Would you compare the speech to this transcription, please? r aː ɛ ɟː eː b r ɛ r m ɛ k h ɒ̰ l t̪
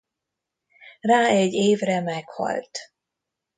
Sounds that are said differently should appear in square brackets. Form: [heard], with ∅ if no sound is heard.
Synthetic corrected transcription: r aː ɛ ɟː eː [v] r ɛ [∅] m ɛ k h ɒ̰ l t̪